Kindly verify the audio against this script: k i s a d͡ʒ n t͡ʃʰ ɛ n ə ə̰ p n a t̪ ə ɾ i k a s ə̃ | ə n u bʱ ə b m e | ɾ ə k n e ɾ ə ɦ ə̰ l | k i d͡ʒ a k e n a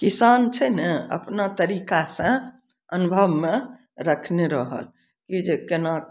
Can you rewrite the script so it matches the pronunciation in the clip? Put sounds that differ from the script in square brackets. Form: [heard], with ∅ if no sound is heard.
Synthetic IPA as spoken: k i s a [∅] n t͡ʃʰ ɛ n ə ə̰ p n a t̪ ə ɾ i k a s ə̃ | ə n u bʱ ə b m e | ɾ ə [kʰ] n e ɾ ə ɦ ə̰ l | k i d͡ʒ [e] k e n a